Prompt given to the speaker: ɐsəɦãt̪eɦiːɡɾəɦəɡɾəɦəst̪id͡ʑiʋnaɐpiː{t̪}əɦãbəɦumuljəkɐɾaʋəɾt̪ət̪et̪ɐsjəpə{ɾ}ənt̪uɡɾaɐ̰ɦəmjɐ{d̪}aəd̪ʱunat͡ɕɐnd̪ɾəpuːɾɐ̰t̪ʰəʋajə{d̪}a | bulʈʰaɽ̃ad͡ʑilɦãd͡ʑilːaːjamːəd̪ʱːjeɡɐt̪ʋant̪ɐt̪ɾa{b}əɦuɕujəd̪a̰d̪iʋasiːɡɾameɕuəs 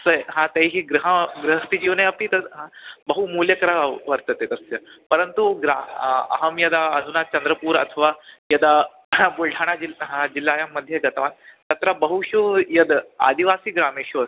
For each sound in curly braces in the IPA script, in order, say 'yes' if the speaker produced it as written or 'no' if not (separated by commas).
yes, yes, yes, yes, yes